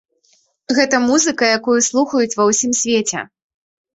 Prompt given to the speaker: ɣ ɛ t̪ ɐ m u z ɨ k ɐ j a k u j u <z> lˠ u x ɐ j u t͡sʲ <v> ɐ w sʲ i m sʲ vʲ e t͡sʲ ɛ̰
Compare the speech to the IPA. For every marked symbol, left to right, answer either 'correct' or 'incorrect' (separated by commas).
incorrect, correct